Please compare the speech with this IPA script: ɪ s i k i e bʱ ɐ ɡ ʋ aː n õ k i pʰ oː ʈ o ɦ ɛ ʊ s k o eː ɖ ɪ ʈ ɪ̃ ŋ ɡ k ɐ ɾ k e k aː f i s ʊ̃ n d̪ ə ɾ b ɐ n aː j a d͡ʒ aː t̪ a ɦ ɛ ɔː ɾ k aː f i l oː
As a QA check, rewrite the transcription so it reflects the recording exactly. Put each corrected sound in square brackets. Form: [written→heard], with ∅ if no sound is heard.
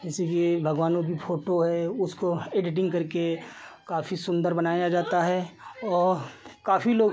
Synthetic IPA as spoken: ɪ s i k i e bʱ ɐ ɡ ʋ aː n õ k i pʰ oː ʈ o ɦ ɛ ʊ s k o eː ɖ ɪ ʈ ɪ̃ ŋ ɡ k ɐ ɾ k e k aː f i s ʊ̃ n d̪ ə ɾ b ɐ n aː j a d͡ʒ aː t̪ a ɦ ɛ ɔː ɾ k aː f i l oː

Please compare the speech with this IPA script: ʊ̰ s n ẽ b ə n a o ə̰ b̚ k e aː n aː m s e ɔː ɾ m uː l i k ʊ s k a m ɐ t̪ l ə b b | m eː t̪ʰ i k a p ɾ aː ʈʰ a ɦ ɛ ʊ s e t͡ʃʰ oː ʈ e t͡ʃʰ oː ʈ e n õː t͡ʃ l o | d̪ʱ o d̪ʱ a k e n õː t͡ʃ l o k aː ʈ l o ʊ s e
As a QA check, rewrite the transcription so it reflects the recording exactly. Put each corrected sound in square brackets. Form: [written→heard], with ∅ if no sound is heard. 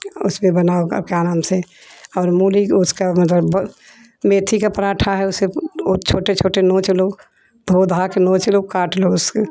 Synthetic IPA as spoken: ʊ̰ s [n→m] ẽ b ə n a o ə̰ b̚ k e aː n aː m s e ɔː ɾ m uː l i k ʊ s k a m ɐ t̪ l ə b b | m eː t̪ʰ i k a p ɾ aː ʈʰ a ɦ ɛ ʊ s e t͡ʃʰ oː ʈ e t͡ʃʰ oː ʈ e n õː t͡ʃ l o | d̪ʱ o d̪ʱ a k e n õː t͡ʃ l o k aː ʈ l o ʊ s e

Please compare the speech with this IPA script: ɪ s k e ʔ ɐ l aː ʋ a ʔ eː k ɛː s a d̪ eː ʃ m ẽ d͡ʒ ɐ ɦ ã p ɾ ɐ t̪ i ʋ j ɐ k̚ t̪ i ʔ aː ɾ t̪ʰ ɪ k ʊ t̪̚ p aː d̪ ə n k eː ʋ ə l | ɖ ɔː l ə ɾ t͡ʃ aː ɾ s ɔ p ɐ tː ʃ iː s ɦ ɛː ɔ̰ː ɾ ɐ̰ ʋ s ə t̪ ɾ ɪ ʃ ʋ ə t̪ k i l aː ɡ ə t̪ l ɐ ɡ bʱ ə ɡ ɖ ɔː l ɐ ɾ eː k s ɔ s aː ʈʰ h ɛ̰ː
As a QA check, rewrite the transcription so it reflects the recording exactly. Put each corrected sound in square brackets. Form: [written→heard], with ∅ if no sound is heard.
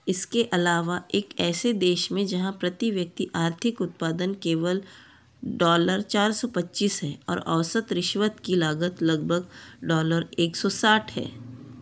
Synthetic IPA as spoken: ɪ s k e ʔ ɐ l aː ʋ a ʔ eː k ɛː s [a→e] d̪ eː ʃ m ẽ d͡ʒ ɐ ɦ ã p ɾ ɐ t̪ i ʋ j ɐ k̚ t̪ i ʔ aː ɾ t̪ʰ ɪ k ʊ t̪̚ p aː d̪ ə n k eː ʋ ə l | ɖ ɔː l ə ɾ t͡ʃ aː ɾ s ɔ p ɐ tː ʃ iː s ɦ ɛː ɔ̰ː ɾ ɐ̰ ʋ s ə t̪ ɾ ɪ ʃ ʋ ə t̪ k i l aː ɡ ə t̪ l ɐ ɡ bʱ ə ɡ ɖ ɔː l [ɐ→ə] ɾ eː k s ɔ s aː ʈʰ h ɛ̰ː

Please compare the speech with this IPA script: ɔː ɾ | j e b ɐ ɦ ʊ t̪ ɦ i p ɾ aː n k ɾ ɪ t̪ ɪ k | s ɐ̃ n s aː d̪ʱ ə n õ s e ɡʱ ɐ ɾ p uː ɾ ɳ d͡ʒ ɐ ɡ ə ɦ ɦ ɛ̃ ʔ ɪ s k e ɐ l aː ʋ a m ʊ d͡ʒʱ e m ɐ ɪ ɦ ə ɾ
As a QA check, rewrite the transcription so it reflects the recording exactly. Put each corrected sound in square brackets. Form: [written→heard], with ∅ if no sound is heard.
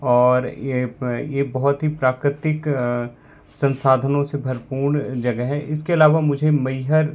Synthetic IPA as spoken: ɔː ɾ | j e b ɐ ɦ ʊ t̪ ɦ i p ɾ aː [n→∅] k ɾ ɪ t̪ ɪ k | s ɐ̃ n s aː d̪ʱ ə n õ s e [ɡʱ→bʱ] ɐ ɾ p uː ɾ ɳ d͡ʒ ɐ ɡ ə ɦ ɦ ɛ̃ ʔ ɪ s k e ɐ l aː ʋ a m ʊ d͡ʒʱ e m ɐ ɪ ɦ ə ɾ

